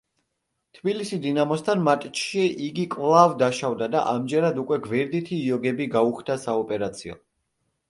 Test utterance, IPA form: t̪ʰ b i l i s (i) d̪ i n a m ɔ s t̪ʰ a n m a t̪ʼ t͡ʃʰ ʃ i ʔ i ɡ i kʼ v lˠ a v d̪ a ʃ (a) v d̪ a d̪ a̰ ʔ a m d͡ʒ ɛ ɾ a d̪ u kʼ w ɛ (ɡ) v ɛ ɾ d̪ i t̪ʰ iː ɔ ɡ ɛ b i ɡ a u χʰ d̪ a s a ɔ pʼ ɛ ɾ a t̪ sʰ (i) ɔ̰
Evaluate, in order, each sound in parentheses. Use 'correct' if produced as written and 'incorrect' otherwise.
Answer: correct, correct, correct, correct

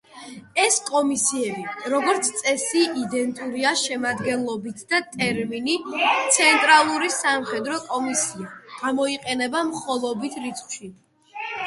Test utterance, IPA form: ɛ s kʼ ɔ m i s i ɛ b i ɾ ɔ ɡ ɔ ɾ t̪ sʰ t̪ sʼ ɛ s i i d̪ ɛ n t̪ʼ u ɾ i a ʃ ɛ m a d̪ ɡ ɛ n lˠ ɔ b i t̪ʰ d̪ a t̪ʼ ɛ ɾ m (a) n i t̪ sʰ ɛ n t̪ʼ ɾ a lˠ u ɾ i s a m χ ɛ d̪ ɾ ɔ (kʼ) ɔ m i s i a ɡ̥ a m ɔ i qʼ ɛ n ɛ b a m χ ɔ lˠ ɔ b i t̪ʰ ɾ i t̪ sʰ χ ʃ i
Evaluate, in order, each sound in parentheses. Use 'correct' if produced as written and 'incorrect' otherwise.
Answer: incorrect: i, correct

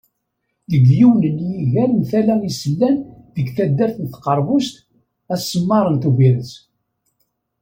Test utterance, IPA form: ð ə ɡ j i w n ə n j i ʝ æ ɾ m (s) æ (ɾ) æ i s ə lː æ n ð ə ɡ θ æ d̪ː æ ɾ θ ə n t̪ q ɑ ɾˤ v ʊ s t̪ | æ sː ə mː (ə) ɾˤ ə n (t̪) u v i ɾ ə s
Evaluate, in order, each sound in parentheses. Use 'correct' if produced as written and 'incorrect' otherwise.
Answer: incorrect: θ, incorrect: l, incorrect: ɑ, correct

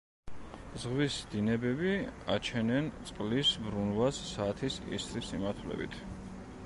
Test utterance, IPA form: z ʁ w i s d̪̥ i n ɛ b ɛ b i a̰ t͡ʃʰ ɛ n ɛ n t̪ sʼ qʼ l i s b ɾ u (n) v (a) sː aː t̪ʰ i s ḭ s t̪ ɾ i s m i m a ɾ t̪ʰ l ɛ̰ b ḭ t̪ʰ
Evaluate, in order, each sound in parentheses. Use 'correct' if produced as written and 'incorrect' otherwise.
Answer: correct, correct

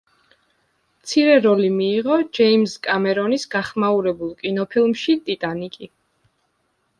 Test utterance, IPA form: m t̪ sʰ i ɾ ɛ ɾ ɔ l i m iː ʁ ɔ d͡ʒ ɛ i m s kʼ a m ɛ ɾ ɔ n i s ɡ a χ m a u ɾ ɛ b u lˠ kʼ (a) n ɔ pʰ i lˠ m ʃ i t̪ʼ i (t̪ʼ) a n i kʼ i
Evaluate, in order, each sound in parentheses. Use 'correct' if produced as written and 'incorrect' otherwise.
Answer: incorrect: i, correct

